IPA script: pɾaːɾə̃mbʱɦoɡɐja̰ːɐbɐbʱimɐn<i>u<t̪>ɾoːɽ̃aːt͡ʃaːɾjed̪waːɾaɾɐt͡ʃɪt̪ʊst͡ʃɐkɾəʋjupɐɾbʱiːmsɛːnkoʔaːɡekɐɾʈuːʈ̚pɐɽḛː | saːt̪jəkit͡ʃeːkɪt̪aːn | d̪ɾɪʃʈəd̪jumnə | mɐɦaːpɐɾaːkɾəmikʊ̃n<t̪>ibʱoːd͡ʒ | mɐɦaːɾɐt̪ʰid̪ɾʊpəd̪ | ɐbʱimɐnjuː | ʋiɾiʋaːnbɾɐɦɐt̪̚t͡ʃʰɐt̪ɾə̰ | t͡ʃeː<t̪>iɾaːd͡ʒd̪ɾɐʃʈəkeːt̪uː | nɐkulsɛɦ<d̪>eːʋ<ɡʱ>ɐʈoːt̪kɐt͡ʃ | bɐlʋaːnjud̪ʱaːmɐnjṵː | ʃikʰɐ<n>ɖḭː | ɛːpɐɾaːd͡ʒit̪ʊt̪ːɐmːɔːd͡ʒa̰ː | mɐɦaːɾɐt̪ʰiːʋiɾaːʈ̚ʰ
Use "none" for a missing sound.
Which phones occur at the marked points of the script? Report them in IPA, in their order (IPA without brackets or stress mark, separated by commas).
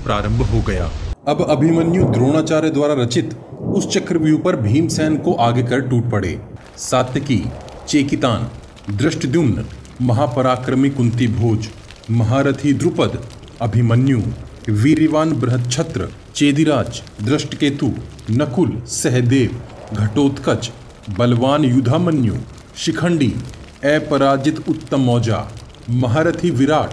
j, d̪, t̪, d̪, d̪, ɡʱ, ɳ